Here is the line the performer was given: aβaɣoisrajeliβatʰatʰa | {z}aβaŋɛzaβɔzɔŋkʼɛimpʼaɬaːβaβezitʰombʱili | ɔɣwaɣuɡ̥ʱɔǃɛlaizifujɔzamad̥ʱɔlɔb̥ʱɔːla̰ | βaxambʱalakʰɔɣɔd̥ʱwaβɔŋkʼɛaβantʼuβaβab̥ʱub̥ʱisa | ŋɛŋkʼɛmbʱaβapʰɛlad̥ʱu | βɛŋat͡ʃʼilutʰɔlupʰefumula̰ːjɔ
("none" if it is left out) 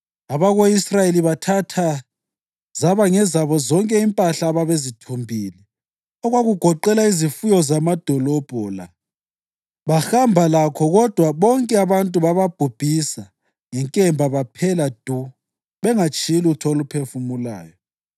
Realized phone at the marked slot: z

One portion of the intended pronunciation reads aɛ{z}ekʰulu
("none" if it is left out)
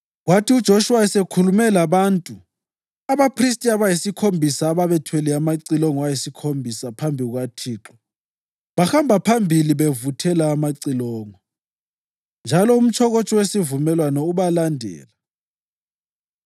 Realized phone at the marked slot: s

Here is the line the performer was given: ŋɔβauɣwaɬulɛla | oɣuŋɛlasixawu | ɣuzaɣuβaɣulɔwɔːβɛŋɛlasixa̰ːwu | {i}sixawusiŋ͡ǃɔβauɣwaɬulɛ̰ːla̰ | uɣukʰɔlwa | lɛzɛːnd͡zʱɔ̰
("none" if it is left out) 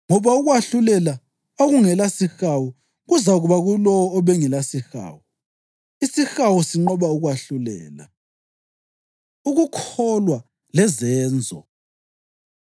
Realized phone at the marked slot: i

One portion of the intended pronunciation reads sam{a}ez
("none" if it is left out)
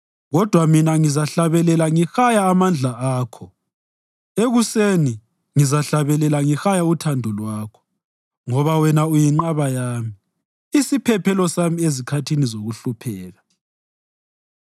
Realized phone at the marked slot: i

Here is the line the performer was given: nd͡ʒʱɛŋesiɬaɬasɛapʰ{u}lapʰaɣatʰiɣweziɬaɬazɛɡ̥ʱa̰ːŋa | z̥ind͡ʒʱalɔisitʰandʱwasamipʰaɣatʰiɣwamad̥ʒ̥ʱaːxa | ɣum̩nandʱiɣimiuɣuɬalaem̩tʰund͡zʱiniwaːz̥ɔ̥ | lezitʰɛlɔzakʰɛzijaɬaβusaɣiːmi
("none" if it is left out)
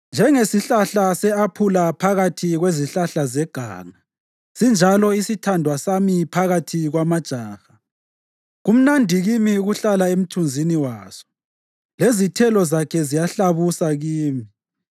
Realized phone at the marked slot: u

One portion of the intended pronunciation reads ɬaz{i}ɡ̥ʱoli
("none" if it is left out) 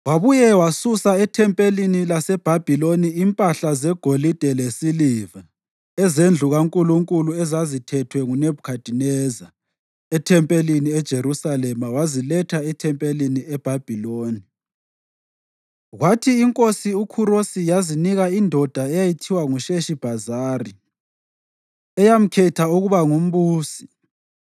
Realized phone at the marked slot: ɛ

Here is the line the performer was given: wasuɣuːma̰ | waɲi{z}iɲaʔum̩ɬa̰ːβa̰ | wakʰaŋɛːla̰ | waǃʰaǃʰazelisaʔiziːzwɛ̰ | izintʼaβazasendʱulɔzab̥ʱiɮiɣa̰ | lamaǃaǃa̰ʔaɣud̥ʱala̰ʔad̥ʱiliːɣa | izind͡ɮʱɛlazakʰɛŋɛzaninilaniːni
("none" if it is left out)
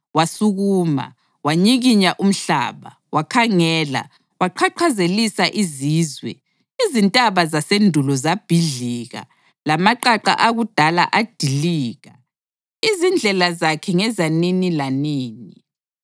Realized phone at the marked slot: ɣ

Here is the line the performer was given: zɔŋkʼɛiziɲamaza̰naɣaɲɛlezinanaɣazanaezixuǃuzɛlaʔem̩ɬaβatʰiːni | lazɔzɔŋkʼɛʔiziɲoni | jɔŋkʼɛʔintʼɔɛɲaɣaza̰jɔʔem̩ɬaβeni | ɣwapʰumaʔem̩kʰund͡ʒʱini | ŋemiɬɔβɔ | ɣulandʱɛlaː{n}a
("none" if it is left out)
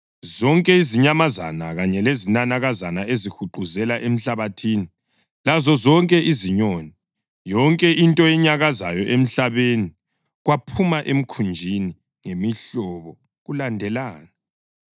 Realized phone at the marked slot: n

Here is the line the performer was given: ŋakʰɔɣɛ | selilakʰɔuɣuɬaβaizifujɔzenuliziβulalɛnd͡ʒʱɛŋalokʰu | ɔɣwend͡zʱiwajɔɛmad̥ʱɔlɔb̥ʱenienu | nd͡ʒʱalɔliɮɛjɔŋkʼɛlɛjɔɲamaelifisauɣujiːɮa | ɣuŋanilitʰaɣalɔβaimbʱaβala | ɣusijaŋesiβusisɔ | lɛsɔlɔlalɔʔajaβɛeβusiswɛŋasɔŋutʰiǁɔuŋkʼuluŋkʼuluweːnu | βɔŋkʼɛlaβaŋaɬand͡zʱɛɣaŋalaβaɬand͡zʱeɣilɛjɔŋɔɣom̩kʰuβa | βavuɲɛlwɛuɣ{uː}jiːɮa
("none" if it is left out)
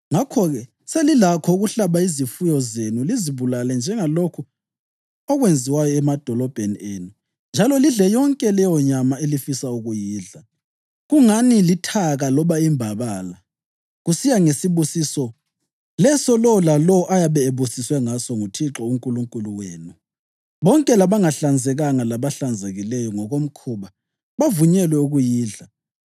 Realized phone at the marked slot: u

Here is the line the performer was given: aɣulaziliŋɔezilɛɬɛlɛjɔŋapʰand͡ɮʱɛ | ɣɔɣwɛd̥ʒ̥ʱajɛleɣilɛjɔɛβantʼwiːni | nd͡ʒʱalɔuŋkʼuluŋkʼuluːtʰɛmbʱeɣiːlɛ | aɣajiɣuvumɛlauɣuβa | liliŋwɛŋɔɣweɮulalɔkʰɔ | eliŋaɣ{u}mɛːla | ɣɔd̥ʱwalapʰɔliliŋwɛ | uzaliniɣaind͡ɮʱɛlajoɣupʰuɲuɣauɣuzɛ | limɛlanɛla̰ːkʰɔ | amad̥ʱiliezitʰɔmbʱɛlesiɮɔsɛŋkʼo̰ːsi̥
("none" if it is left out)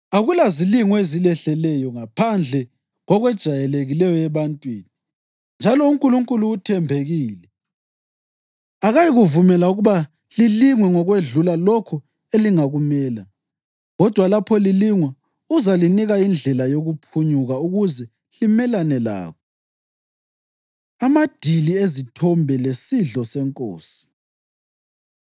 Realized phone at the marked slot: u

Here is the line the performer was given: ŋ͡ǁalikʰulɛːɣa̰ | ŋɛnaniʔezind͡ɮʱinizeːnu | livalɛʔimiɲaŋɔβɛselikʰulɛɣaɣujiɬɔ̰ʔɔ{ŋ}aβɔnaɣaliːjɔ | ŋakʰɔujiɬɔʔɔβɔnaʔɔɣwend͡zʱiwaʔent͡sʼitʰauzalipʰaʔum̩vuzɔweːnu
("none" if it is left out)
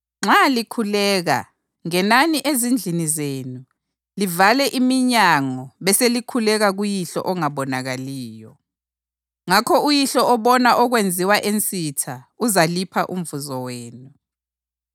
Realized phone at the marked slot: ŋ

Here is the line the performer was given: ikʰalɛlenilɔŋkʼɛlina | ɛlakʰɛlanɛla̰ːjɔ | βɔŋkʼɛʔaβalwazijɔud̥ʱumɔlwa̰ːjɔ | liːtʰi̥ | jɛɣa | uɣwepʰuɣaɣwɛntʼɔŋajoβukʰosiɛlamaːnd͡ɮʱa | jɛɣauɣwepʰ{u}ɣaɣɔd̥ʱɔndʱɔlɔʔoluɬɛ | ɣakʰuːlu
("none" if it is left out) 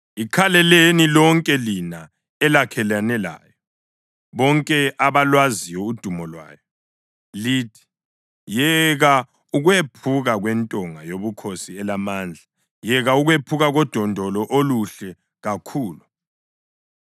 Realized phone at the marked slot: u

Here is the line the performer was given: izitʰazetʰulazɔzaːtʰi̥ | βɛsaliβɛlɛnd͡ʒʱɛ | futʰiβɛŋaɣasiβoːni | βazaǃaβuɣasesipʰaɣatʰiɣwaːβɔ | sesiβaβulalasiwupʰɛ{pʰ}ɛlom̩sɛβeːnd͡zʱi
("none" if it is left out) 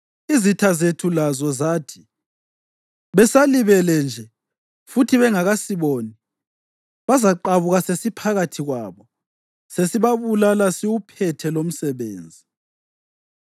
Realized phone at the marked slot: tʰ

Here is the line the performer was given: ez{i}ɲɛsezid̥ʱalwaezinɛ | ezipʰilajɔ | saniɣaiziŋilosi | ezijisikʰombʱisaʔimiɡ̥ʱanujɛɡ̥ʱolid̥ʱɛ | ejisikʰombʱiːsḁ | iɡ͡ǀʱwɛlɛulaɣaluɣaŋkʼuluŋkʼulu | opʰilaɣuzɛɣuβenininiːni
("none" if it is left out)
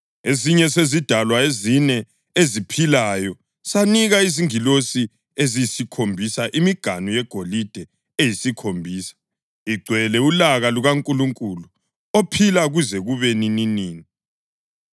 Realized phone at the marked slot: i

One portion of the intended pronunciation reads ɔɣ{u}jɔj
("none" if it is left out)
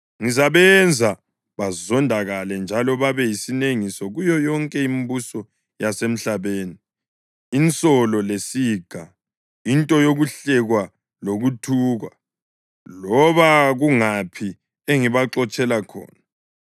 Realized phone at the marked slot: u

